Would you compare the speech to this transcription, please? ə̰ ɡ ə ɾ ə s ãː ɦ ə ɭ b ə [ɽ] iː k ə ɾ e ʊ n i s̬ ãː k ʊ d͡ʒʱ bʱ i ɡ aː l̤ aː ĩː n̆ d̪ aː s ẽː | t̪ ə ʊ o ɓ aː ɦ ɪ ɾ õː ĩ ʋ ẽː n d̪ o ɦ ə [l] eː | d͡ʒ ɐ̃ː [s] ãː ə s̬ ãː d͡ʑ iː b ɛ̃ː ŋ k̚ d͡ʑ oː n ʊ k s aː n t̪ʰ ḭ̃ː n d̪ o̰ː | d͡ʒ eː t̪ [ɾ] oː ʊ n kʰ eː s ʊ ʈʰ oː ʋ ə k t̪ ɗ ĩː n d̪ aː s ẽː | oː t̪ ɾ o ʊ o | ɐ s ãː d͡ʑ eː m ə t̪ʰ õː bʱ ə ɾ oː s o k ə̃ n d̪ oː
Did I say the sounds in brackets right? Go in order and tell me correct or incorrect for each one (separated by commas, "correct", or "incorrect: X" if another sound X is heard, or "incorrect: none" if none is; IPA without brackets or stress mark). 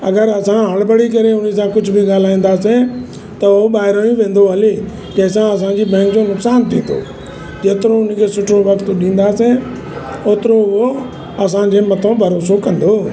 correct, correct, correct, correct